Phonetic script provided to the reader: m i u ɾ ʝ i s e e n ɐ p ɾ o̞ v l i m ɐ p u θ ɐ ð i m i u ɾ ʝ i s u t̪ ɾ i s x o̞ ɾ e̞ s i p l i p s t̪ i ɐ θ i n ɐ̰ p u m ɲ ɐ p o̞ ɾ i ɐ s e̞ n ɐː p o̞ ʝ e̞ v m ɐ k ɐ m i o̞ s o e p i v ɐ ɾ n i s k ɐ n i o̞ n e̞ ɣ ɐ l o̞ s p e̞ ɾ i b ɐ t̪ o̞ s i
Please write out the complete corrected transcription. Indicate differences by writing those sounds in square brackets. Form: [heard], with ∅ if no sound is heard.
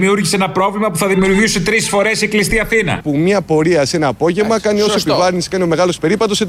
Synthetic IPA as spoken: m i u ɾ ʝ i s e e n ɐ p ɾ o̞ v l i m ɐ p u θ ɐ ð i m i u ɾ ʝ i s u t̪ ɾ i s [f] o̞ ɾ e̞ s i [k] l i [∅] s t̪ i ɐ θ i n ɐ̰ p u m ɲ ɐ p o̞ ɾ i ɐ s e̞ n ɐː p o̞ ʝ e̞ v m ɐ k ɐ [n] i o̞ s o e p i v ɐ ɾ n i s k ɐ n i o̞ [m] e̞ ɣ ɐ l o̞ s p e̞ ɾ i [p] ɐ t̪ o̞ s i